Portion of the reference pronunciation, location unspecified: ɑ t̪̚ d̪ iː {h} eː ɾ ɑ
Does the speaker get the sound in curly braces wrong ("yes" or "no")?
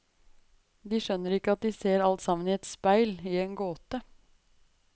yes